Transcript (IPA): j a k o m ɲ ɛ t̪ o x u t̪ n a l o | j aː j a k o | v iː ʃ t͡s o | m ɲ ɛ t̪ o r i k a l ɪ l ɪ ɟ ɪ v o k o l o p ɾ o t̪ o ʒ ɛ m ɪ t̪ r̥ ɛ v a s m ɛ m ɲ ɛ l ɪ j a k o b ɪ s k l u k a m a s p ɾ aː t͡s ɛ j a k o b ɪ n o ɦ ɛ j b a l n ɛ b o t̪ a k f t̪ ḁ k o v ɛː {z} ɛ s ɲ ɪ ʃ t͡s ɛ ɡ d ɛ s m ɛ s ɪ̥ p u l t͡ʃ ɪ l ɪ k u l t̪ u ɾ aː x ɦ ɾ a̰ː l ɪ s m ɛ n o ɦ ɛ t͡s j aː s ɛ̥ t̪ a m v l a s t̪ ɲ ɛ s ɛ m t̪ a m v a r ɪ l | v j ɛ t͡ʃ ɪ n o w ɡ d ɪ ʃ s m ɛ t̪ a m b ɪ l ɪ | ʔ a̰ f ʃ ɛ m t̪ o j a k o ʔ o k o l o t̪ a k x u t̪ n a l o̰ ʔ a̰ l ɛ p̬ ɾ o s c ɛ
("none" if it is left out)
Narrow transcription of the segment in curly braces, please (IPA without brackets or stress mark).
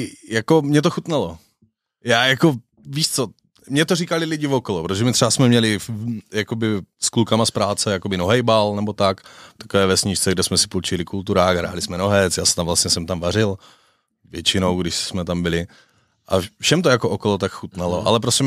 v